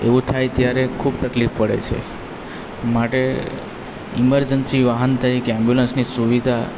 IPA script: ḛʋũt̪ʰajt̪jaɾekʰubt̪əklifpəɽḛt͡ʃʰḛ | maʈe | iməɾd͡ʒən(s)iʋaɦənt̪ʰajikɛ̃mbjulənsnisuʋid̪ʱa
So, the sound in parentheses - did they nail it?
yes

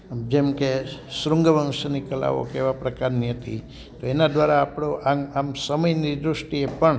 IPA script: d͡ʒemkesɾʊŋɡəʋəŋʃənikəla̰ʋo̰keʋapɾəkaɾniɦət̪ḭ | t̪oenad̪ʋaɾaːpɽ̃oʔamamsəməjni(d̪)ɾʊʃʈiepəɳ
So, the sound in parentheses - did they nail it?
yes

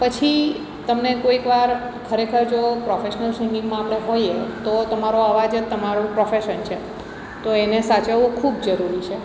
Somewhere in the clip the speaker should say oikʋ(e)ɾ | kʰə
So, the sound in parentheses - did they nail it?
no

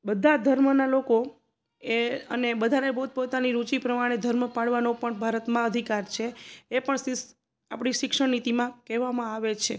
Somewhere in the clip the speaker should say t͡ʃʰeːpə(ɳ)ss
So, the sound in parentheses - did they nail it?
yes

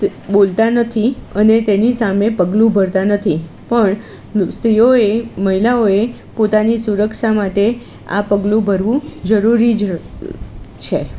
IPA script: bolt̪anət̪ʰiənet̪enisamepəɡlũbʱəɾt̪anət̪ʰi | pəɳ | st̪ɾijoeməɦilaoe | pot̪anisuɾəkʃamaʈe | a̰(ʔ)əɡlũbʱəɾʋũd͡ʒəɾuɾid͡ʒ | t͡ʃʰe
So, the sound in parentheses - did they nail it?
no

